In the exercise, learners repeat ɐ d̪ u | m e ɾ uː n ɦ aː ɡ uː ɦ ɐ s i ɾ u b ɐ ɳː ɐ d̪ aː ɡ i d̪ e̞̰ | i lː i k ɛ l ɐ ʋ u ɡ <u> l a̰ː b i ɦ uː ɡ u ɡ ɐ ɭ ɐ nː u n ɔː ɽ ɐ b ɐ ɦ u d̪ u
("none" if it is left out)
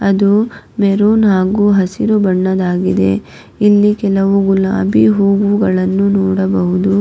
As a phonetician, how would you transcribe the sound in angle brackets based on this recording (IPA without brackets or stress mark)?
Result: u